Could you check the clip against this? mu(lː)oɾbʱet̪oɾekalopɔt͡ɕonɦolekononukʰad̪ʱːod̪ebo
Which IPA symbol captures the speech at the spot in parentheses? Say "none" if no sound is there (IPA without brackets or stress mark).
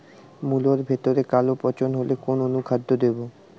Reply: l